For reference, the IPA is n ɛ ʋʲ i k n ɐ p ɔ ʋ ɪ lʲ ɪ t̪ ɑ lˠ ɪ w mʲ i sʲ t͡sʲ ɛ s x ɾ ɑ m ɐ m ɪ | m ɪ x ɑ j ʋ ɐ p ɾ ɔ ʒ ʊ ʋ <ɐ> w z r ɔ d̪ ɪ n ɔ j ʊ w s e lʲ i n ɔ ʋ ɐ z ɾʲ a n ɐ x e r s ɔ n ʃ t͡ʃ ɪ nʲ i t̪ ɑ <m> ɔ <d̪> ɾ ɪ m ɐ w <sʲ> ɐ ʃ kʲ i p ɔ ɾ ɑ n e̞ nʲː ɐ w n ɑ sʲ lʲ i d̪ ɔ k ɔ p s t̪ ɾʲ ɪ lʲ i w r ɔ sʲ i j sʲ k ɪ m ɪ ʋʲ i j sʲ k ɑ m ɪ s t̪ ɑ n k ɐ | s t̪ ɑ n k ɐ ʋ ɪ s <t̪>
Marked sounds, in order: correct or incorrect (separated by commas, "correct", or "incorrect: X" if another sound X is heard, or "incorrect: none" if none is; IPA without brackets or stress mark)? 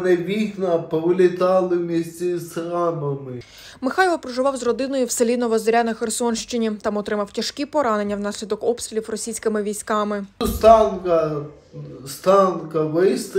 incorrect: ɑ, correct, incorrect: t̪, incorrect: tʲ, correct